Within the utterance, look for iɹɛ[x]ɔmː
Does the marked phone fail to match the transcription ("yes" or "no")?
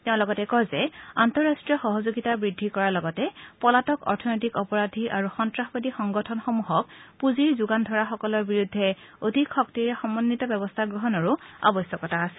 no